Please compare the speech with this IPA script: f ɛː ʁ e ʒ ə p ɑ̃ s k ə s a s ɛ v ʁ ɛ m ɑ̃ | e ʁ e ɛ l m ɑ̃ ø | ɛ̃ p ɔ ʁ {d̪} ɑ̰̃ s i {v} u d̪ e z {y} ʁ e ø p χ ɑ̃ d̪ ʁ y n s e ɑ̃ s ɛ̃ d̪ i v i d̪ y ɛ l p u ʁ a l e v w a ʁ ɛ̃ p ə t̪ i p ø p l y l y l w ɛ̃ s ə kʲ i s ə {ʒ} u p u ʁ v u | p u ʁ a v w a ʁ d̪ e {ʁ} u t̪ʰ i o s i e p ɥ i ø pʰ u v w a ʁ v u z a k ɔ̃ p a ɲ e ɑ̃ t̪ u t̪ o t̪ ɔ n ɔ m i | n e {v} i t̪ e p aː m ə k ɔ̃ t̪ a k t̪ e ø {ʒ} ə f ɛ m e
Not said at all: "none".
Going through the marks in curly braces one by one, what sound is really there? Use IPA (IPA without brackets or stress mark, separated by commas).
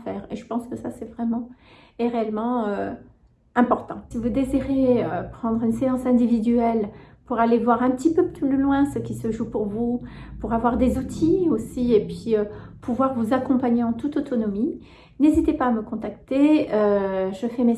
t̪, v, i, ʒ, z, z, ʒ